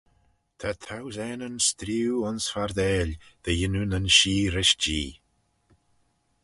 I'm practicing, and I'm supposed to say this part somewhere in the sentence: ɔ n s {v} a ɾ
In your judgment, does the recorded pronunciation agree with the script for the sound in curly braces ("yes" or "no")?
no